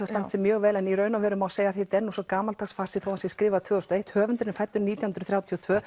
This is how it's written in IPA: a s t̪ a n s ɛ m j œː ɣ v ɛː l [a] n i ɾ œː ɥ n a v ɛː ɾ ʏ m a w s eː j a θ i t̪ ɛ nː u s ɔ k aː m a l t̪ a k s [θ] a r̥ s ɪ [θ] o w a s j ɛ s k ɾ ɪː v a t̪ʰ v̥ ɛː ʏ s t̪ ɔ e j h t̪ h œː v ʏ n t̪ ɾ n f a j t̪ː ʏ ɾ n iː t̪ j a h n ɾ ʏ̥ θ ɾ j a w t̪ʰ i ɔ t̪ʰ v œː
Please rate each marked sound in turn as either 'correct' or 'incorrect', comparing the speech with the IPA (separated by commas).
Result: incorrect, incorrect, correct